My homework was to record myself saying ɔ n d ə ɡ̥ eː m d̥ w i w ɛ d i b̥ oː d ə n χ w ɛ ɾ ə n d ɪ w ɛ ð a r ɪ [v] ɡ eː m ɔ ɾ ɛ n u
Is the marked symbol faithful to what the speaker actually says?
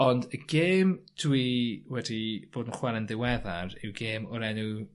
no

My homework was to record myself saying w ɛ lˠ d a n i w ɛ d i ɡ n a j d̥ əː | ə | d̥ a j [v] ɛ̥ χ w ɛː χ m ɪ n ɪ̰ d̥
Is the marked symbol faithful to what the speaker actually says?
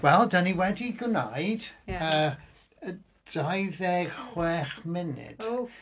no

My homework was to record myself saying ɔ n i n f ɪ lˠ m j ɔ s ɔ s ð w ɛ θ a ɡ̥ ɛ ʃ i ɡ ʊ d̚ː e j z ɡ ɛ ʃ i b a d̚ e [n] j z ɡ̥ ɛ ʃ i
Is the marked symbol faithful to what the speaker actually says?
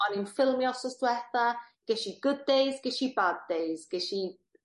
no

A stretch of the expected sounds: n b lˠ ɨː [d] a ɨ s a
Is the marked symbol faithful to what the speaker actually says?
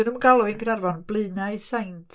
no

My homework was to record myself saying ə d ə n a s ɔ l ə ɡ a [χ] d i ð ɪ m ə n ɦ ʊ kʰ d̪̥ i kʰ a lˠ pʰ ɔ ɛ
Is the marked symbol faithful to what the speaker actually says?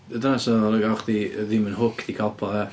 yes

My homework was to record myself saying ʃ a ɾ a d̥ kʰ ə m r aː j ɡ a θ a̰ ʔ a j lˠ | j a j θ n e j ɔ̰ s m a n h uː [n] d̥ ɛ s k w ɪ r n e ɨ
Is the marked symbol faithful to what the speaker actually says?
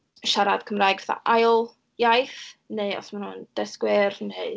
yes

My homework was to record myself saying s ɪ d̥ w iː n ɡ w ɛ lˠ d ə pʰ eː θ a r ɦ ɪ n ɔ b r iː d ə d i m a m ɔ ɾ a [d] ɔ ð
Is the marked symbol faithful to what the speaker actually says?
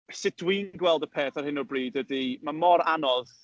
no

